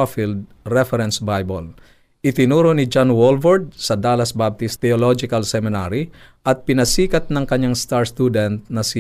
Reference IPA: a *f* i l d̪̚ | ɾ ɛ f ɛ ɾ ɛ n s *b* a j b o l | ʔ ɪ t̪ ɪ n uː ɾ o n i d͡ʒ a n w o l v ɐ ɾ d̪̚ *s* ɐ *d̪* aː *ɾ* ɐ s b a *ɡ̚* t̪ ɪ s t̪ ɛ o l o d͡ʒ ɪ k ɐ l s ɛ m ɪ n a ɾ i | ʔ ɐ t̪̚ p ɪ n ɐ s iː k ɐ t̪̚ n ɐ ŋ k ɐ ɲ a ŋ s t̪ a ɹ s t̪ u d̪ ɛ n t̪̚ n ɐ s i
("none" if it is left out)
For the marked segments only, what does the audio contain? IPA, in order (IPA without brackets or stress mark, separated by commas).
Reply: f, b, s, d̪, l, b̚